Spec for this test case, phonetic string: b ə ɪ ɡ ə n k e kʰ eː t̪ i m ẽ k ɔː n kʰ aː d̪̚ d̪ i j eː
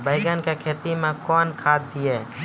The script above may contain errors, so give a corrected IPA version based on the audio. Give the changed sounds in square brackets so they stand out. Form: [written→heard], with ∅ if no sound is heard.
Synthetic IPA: b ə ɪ ɡ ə n k e kʰ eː t̪ i m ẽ k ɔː n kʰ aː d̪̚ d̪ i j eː